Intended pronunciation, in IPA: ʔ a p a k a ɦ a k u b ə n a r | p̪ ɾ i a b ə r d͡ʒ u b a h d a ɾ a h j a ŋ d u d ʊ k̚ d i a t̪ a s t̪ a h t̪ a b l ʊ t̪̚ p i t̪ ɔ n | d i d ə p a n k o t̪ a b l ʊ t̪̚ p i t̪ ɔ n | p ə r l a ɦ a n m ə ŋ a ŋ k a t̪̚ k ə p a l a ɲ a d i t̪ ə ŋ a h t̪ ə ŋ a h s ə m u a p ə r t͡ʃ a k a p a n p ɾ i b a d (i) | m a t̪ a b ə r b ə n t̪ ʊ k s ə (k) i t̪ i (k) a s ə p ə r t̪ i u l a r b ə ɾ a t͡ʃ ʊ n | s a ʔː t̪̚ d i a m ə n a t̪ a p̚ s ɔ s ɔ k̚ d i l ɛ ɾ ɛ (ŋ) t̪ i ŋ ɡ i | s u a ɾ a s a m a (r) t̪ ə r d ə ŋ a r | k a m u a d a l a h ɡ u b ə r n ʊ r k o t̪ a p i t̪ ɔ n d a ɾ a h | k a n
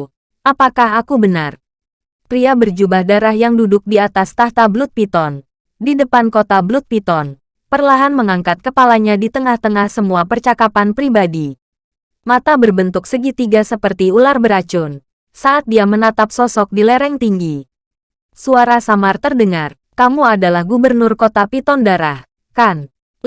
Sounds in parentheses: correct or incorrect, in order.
correct, incorrect: ɡ, incorrect: ɡ, correct, correct

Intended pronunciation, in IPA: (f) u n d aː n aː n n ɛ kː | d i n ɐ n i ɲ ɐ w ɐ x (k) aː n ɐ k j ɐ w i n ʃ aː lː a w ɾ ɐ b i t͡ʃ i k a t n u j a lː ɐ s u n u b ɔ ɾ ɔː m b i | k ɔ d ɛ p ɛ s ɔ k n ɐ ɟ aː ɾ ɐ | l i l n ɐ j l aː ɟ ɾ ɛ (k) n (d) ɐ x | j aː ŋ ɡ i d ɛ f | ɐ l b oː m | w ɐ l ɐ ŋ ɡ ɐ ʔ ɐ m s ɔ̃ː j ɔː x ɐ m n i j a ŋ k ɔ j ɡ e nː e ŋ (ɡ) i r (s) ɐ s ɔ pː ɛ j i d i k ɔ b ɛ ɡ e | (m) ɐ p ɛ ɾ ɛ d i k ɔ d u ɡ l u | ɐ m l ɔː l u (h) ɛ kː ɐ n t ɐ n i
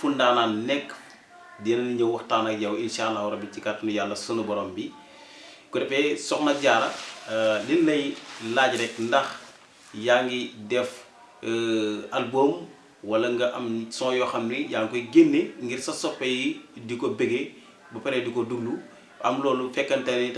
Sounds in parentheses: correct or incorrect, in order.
correct, incorrect: t, correct, correct, correct, correct, incorrect: b, incorrect: f

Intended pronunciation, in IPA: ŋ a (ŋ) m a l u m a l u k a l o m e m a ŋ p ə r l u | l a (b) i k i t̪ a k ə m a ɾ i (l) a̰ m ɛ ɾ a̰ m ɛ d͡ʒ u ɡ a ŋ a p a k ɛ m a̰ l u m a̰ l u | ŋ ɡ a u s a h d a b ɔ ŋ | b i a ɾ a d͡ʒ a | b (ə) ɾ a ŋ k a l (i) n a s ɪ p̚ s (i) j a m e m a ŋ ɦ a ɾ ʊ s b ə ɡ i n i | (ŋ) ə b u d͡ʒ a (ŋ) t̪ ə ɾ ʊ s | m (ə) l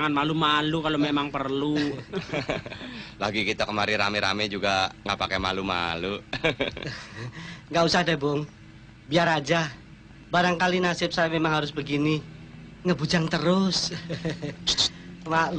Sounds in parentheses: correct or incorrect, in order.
incorrect: n, incorrect: ɡ, incorrect: ɾ, incorrect: a, correct, incorrect: a, correct, correct, incorrect: a

